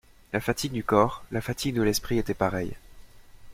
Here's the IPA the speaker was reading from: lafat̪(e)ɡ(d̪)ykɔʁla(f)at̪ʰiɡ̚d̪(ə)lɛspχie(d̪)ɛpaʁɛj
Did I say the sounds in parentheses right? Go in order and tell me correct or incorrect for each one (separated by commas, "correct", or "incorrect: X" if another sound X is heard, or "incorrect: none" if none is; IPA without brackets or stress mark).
incorrect: i, correct, correct, correct, incorrect: t̪